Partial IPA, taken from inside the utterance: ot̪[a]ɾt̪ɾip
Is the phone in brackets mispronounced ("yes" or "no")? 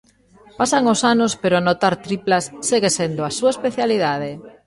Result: no